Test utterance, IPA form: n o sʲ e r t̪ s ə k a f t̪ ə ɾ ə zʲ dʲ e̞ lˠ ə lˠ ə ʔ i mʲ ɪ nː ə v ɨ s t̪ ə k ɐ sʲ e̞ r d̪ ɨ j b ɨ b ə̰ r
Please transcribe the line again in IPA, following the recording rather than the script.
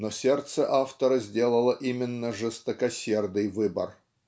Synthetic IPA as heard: n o sʲ e r t̪ s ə ʔ a f t̪ ə ɾ ə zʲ dʲ e̞ lˠ ə lˠ ə ʔ i mʲ ɪ nː ə ʐ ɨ s t̪ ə k ɐ sʲ e̞ r d̪ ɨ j v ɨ b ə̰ r